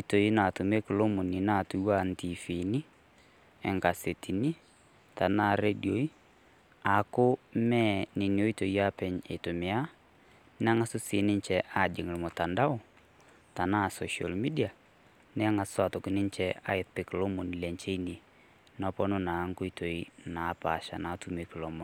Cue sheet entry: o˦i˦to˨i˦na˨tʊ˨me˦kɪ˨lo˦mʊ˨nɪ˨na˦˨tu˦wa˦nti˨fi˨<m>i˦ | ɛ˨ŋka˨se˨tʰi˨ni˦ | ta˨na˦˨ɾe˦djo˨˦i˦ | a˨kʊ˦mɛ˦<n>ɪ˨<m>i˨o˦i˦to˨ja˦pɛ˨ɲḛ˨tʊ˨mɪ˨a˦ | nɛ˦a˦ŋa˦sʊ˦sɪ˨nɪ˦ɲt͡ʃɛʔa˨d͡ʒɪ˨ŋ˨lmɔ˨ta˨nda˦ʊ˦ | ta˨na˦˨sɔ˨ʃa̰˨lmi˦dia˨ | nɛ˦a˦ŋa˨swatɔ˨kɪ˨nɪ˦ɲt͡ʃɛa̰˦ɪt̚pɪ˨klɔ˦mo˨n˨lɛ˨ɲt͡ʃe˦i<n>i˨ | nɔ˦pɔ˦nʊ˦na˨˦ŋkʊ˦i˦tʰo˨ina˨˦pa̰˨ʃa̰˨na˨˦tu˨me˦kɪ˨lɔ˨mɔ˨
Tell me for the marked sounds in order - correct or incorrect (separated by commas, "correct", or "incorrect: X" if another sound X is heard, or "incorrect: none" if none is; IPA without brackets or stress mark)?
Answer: incorrect: n, correct, incorrect: n, correct